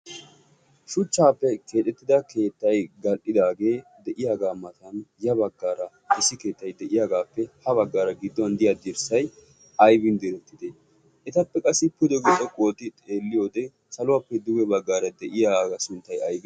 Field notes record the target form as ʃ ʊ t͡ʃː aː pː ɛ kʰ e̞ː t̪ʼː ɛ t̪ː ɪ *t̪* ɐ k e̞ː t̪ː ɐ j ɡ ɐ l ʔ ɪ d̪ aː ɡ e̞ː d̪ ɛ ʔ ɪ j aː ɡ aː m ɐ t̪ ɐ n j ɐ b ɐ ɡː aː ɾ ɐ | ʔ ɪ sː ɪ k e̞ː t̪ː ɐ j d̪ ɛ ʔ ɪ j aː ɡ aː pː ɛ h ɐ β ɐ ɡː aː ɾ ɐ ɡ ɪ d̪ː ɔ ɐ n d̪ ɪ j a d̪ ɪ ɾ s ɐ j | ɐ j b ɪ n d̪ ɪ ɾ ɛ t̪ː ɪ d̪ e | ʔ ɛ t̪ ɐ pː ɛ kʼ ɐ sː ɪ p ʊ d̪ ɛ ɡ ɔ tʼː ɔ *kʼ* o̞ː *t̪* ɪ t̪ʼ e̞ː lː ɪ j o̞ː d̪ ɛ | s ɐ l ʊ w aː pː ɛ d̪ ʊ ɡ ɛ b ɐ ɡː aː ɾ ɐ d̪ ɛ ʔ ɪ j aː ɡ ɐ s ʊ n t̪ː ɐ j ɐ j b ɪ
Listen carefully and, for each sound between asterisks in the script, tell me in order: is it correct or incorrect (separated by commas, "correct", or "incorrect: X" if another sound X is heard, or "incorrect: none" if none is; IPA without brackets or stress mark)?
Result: incorrect: d̪, correct, correct